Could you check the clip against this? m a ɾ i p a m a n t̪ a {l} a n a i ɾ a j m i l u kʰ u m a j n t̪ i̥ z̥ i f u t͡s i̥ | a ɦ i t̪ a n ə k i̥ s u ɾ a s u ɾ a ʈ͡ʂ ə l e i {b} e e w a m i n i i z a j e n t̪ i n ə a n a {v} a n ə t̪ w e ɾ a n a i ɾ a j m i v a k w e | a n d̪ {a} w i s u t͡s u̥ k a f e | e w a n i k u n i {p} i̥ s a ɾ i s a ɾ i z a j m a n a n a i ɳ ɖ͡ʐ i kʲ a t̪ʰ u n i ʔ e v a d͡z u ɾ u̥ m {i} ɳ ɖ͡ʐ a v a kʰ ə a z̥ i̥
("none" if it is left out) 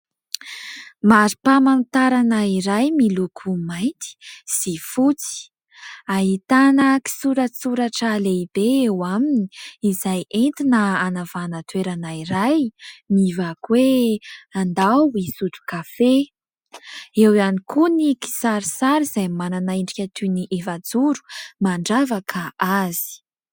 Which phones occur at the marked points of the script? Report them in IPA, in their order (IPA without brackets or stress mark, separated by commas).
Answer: ɾ, b, v, a, k, a